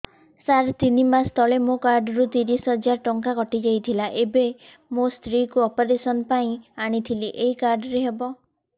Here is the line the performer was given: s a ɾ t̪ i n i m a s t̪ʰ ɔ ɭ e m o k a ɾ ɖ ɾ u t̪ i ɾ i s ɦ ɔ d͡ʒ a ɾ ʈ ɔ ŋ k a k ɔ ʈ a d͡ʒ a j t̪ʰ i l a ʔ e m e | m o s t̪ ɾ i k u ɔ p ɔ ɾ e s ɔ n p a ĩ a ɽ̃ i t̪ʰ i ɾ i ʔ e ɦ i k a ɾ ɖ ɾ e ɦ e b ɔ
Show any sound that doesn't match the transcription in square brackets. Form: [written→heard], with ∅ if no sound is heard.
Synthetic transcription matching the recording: s a ɾ t̪ i n i m a s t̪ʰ ɔ ɭ e m o k a ɾ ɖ ɾ u t̪ i ɾ i s ɦ ɔ d͡ʒ a ɾ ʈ ɔ ŋ k a k ɔ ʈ [a→i] d͡ʒ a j t̪ʰ i l a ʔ e [m→b] e | m o s t̪ ɾ i k u ɔ p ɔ ɾ e s ɔ n p a ĩ a ɽ̃ i t̪ʰ i [ɾ→l] i ʔ e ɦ i k a ɾ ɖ ɾ e ɦ e b ɔ